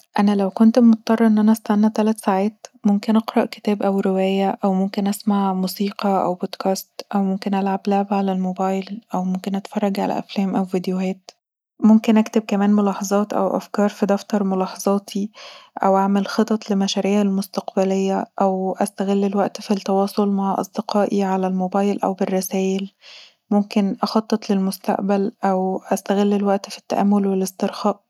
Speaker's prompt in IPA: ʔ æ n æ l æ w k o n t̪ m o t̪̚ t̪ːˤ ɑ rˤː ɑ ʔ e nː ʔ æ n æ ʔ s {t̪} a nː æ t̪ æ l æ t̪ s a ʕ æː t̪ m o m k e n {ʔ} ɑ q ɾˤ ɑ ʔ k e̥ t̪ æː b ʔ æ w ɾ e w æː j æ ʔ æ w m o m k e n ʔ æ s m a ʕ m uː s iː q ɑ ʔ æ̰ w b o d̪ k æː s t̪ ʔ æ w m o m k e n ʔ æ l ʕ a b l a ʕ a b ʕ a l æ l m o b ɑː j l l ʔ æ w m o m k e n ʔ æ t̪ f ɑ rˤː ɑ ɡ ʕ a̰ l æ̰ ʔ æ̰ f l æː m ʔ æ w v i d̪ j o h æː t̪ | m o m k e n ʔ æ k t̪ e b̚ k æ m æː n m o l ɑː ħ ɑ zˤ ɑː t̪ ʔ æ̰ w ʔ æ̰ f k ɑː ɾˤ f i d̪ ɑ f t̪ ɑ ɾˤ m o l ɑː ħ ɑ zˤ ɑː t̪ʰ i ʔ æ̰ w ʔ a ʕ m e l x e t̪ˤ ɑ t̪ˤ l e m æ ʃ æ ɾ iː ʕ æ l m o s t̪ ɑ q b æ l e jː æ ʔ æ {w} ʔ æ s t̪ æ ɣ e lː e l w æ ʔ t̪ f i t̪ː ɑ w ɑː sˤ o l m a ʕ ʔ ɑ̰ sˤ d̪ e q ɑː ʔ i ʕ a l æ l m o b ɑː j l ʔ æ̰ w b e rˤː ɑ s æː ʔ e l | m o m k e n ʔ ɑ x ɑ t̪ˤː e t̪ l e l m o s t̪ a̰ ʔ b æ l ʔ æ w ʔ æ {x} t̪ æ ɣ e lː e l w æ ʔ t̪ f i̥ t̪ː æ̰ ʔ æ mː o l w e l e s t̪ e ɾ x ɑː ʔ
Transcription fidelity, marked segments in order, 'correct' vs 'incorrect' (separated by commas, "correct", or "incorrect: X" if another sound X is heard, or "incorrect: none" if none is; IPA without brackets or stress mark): correct, correct, correct, incorrect: s